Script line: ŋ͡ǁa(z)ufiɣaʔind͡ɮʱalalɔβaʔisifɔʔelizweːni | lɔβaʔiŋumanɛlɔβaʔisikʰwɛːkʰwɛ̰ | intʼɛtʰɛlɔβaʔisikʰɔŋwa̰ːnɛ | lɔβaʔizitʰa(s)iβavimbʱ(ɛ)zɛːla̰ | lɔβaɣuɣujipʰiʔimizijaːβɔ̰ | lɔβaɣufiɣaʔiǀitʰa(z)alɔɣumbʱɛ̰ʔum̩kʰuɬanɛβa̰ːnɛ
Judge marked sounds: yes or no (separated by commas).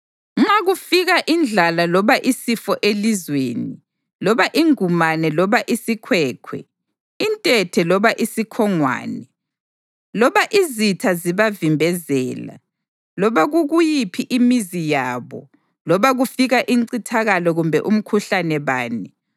no, no, yes, no